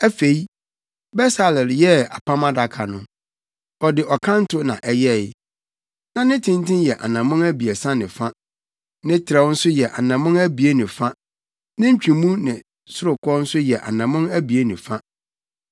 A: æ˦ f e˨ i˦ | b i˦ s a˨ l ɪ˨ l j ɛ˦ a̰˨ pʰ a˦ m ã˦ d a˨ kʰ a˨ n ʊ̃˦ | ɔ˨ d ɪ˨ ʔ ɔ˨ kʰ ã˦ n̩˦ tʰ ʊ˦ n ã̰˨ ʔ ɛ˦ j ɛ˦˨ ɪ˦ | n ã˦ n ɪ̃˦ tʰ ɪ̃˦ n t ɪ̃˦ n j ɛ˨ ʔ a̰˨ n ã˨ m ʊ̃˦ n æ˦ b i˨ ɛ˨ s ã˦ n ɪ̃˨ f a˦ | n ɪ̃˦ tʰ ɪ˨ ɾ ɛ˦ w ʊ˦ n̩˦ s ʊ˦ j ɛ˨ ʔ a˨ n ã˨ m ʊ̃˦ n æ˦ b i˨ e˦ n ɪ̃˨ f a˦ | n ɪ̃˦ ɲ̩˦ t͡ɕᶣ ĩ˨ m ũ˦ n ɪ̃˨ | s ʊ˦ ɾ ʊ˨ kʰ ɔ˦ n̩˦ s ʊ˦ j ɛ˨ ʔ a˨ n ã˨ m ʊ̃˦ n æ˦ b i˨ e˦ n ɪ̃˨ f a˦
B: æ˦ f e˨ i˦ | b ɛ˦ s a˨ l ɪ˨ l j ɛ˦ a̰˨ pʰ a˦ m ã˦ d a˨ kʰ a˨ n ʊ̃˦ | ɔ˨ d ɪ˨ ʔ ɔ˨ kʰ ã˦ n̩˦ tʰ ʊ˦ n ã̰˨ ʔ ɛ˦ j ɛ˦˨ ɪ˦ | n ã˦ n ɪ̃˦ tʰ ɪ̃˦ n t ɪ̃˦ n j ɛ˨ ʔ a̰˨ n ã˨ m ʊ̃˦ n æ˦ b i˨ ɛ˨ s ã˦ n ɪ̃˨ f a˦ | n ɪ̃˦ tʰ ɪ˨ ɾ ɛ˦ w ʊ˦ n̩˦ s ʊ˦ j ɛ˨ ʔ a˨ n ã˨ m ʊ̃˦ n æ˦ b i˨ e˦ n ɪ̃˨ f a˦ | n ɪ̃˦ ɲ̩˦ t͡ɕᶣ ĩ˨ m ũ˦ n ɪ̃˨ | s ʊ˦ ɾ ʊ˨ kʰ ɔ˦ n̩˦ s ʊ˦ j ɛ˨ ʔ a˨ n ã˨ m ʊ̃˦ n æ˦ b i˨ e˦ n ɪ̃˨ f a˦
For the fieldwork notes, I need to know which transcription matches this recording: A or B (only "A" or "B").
B